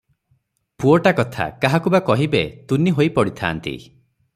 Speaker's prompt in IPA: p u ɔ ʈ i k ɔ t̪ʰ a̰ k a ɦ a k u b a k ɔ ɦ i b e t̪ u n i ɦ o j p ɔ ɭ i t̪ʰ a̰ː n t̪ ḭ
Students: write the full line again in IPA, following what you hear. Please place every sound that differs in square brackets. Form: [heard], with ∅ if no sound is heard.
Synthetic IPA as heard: p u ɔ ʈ [a] k ɔ t̪ʰ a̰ k a ɦ a k u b a k ɔ ɦ i b e t̪ u n i ɦ o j p ɔ [ɽ] i t̪ʰ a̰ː n t̪ ḭ